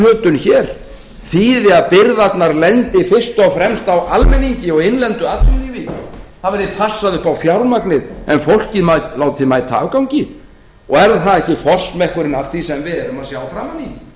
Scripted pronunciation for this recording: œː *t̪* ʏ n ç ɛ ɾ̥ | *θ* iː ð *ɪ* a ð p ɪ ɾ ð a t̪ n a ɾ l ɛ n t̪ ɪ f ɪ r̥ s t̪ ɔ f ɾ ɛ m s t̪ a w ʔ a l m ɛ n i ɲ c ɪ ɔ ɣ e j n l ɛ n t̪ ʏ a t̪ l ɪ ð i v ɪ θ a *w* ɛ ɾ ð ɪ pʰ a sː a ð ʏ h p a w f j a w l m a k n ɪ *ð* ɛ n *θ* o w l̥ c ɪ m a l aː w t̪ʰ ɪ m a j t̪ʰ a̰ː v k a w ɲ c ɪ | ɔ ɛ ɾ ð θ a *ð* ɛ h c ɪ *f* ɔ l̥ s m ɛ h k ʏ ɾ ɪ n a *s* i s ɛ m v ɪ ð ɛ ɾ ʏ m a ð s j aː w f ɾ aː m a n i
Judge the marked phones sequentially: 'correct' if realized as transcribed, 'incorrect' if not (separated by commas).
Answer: correct, correct, correct, incorrect, correct, incorrect, correct, correct, incorrect